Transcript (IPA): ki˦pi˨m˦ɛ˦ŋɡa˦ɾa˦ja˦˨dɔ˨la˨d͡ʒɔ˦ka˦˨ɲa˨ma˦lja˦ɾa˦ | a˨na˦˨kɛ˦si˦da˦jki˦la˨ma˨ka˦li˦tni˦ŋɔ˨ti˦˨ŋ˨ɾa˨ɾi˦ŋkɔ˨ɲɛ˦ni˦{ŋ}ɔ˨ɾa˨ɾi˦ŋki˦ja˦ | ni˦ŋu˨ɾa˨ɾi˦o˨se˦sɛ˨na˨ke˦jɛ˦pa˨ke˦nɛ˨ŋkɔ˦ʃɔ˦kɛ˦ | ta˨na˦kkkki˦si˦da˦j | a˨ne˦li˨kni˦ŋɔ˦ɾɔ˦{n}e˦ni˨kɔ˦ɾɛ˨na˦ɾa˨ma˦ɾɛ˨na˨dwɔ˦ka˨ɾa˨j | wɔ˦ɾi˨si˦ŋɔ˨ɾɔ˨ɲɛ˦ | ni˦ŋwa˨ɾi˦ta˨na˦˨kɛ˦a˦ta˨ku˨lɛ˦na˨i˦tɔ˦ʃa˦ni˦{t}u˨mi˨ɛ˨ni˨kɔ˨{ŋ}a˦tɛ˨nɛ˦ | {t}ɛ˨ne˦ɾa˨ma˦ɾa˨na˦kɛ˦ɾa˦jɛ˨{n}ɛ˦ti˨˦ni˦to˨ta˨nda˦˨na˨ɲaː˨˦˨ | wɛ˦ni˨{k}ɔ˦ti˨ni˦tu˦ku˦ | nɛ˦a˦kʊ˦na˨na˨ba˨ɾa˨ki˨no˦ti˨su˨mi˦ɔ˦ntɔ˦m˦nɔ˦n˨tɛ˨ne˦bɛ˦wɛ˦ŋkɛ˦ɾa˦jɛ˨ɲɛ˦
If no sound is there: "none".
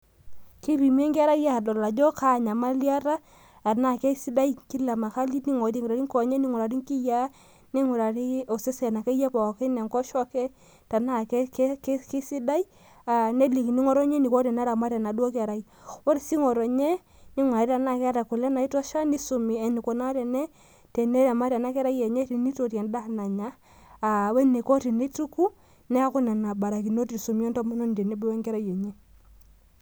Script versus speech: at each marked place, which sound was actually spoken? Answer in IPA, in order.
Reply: ŋ, ɲ, s, n, t, ɲ, k

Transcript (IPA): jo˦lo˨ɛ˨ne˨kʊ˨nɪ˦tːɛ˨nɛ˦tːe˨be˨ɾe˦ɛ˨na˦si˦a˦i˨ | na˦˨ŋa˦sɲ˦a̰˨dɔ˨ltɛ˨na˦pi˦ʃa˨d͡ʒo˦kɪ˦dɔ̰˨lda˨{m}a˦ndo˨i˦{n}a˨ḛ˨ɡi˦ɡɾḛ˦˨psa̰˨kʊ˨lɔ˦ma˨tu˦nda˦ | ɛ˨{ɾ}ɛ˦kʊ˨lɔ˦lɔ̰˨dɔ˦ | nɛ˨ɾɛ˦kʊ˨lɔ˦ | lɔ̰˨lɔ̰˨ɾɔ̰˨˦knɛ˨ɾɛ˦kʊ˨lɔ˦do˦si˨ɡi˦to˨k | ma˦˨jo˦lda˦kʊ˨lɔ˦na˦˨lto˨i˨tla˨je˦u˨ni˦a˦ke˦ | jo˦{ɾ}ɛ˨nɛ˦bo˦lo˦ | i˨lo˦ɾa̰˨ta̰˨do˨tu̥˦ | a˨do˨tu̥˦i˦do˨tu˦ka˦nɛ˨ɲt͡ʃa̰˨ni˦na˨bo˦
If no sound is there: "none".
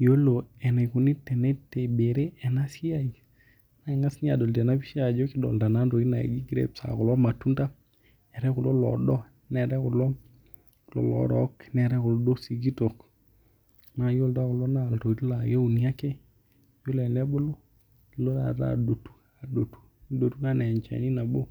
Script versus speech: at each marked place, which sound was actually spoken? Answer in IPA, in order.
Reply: n, n, ɾ, l

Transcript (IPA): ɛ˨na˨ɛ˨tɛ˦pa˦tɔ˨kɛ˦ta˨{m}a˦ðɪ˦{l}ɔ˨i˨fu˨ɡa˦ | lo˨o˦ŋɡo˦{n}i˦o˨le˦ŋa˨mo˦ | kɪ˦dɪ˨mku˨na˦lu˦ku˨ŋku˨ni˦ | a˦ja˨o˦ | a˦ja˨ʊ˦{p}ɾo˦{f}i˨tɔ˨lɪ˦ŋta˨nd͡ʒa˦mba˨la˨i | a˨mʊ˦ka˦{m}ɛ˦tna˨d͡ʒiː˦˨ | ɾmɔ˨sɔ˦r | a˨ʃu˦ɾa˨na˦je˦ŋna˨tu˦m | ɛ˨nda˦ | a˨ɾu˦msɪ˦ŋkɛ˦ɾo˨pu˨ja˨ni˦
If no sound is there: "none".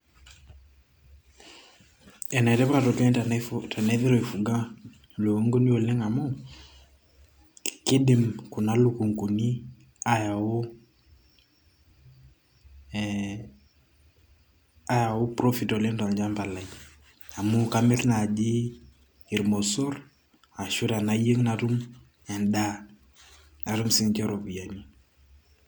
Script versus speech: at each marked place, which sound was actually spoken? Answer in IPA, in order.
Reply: n, ɾ, n, p, f, m

